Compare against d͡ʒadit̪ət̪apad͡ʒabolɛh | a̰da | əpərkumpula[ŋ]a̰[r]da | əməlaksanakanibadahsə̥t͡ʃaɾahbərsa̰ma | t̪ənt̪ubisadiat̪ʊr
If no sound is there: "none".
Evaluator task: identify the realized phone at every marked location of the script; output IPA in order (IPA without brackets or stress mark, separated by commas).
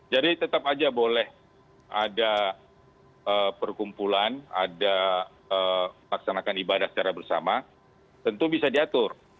n, none